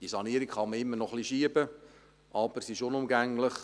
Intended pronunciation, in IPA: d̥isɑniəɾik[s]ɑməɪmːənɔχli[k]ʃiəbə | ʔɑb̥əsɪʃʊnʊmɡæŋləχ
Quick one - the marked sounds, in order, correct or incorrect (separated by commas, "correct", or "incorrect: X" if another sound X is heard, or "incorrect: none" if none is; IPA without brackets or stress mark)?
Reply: incorrect: χ, incorrect: none